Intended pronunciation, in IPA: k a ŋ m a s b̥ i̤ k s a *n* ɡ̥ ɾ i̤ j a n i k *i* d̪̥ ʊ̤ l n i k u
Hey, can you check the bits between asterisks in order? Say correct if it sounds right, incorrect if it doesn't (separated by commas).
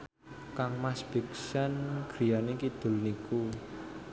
correct, correct